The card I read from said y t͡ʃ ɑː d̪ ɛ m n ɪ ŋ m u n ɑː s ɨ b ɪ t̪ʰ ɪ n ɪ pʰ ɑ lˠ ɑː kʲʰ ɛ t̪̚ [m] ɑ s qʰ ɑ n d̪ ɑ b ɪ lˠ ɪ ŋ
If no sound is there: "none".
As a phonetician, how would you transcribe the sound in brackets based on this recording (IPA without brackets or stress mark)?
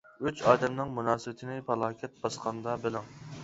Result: b